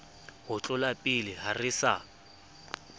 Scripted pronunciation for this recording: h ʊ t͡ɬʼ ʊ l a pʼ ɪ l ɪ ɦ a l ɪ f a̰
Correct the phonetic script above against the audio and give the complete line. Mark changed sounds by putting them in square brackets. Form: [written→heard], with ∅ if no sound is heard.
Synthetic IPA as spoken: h ʊ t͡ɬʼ ʊ l a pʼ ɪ l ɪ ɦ a [l→r] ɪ [f→s] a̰